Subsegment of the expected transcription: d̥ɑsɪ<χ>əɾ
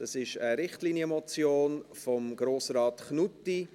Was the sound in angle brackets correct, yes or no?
no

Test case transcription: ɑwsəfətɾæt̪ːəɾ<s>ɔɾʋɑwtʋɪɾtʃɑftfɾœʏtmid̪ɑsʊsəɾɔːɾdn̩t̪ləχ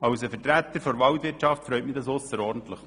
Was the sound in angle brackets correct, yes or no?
no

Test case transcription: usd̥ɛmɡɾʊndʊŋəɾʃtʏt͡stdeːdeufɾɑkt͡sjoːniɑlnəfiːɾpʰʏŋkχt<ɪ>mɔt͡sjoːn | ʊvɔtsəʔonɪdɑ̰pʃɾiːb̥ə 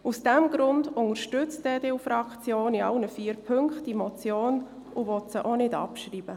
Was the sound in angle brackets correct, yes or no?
no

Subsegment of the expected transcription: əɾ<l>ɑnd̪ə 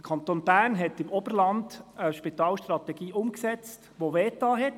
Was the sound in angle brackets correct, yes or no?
yes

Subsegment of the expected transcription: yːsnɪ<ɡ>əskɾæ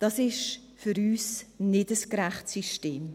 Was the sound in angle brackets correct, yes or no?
no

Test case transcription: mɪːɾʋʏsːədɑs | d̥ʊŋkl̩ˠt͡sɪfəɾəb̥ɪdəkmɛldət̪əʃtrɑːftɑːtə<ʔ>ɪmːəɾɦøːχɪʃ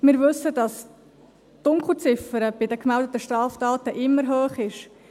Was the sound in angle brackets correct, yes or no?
yes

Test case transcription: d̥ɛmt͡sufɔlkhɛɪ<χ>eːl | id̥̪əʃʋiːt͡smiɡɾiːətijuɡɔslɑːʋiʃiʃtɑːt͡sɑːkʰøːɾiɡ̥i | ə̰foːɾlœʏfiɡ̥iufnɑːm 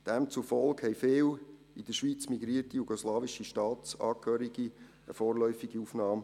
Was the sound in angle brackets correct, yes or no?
no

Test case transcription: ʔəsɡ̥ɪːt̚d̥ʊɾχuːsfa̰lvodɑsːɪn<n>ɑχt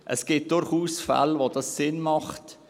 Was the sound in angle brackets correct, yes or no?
no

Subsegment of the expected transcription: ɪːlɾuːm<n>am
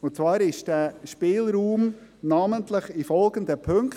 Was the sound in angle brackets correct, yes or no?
yes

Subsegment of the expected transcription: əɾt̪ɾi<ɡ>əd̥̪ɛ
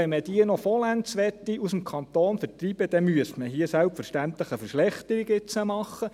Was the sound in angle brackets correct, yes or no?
no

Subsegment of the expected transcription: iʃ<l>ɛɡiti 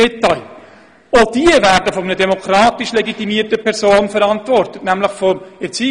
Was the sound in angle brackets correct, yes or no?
yes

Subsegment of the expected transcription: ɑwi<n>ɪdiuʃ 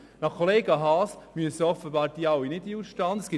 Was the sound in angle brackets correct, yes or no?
yes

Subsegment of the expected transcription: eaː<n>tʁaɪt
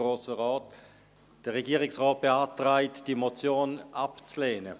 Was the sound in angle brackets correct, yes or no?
no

